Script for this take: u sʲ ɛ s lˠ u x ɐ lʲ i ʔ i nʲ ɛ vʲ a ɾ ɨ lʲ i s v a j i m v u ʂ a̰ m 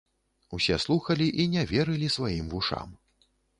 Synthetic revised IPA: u sʲ ɛ s lˠ u x ɐ lʲ i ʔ i nʲ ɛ vʲ ɛ ɾ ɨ lʲ i s v a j i m v u ʂ a̰ m